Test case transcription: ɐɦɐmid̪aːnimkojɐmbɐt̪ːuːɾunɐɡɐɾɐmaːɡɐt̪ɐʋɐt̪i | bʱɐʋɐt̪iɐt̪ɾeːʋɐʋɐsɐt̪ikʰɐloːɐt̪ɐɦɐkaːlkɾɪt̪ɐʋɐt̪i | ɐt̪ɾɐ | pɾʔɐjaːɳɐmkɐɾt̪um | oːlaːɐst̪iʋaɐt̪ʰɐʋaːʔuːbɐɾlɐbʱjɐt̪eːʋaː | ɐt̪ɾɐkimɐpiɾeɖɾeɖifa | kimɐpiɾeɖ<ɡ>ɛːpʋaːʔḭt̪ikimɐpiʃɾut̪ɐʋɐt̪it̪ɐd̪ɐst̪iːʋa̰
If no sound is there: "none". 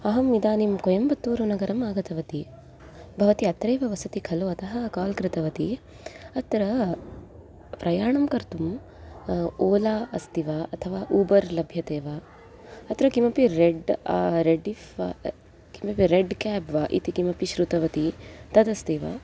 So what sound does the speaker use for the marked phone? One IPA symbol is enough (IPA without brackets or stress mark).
k